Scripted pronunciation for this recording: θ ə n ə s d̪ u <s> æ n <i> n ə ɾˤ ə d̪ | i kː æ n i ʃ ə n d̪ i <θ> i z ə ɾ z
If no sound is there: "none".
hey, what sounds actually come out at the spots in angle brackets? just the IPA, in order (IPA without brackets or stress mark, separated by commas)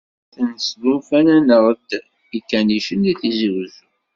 f, æ, θ